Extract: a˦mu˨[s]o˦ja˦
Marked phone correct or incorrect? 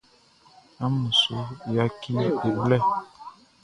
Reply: correct